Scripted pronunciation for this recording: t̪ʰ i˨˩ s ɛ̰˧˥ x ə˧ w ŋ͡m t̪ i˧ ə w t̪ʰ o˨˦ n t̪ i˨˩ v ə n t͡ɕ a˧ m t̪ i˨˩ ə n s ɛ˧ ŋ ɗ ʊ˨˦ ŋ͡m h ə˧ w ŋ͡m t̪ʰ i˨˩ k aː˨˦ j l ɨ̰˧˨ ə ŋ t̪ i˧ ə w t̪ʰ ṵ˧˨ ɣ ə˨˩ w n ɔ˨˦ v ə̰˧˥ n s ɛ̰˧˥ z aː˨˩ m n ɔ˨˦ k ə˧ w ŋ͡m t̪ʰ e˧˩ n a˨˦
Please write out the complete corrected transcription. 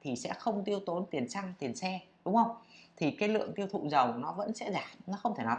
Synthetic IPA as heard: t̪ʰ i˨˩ s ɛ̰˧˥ x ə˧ w ŋ͡m t̪ i˧ ə w t̪ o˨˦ n t̪ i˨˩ ə n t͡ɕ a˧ ŋ t̪ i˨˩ ə n s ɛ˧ ɗ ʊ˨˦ ŋ͡m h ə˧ w ŋ͡m t̪ʰ i˨˩ k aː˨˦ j l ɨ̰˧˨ ə ŋ t̪ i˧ ə w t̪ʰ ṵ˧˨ z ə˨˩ w n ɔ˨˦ v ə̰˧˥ n s ɛ̰˧˥ z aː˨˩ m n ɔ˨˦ x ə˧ w ŋ͡m t̪ʰ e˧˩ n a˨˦